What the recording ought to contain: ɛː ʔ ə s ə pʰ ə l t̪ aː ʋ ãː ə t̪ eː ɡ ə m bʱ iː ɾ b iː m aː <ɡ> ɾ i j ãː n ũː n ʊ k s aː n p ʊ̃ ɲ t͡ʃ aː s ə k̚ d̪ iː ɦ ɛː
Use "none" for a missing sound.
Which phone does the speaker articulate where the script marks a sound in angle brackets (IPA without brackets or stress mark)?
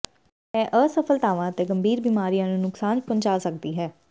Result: none